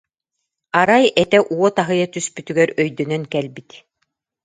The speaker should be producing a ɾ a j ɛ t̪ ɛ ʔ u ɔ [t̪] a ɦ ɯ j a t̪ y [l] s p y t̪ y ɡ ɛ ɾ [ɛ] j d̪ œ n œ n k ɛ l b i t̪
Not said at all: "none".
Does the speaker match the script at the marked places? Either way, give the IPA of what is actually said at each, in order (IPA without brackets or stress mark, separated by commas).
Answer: t̪, none, œ